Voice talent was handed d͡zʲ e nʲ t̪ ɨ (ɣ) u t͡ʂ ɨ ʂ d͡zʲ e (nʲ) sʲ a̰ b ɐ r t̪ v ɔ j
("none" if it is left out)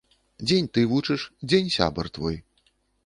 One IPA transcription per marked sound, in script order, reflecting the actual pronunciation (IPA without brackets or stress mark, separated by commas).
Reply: v, nʲ